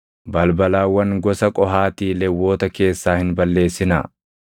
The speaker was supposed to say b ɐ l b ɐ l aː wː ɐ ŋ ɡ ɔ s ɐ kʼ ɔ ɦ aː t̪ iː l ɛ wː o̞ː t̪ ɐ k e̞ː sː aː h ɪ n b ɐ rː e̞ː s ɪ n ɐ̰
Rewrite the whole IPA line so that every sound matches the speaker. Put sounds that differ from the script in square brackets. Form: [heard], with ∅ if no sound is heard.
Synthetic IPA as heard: b ɐ l b ɐ l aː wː ɐ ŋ ɡ ɔ s ɐ kʼ ɔ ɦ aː t̪ iː l ɛ wː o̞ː t̪ ɐ k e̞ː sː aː h ɪ n b ɐ [lː] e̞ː s ɪ n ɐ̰